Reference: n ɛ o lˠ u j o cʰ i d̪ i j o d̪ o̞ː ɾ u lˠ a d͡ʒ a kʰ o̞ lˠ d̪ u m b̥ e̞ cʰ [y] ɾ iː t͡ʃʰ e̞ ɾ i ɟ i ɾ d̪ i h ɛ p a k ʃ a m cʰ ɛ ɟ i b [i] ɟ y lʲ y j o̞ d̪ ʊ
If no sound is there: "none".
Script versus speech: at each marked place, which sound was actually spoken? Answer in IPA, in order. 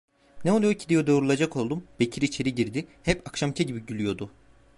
i, i

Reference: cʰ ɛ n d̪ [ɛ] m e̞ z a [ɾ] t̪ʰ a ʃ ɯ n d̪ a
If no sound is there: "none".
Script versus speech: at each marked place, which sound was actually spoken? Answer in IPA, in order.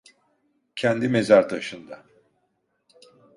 i, ɾ

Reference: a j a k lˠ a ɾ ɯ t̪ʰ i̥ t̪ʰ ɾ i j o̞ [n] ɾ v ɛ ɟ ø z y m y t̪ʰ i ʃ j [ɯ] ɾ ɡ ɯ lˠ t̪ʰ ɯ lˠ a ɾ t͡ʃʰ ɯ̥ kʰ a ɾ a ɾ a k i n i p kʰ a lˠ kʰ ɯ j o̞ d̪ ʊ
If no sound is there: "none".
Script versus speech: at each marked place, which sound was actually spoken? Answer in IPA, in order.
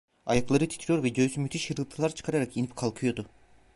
none, ɯ

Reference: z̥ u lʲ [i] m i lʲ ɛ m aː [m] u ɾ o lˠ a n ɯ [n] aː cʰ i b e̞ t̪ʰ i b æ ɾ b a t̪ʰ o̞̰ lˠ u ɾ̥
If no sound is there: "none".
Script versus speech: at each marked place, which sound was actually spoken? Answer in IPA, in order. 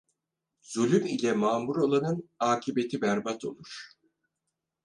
y, m, n

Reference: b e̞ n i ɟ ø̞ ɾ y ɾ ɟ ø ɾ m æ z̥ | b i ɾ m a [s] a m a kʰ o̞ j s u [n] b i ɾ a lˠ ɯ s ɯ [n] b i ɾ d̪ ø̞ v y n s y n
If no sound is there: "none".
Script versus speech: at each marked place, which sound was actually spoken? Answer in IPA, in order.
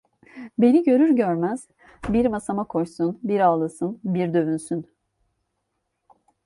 s, n, n

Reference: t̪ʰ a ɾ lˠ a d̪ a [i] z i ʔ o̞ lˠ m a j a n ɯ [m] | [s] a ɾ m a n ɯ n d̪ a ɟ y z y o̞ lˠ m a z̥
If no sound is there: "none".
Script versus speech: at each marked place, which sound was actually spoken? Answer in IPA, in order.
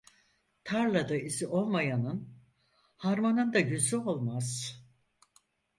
i, n, h

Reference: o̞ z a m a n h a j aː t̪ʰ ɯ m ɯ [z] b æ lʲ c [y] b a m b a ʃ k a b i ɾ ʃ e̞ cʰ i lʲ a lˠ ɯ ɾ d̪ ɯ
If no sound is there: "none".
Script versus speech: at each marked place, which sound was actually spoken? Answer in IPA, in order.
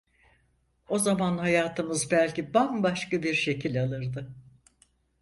z, i

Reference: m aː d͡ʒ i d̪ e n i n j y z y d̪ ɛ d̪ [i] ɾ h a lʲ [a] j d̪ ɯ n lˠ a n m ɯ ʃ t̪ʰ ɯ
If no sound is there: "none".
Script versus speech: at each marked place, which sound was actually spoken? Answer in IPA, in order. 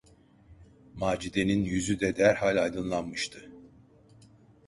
æ, a

